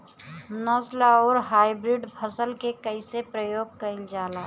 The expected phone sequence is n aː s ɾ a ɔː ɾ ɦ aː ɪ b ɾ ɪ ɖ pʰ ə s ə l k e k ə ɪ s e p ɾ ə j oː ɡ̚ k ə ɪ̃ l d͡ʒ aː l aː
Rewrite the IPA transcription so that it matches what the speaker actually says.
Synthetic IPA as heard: n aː s l a ɔː ɾ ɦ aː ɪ b ɾ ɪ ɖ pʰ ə s ə l k e k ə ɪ s e p ɾ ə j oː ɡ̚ k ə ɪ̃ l d͡ʒ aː l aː